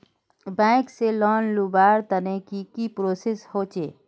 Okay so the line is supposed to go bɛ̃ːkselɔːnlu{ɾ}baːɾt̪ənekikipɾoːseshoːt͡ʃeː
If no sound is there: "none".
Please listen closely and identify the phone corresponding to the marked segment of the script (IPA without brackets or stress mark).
none